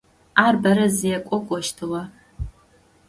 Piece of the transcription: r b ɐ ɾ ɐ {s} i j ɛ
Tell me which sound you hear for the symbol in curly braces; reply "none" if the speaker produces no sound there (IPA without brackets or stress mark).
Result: z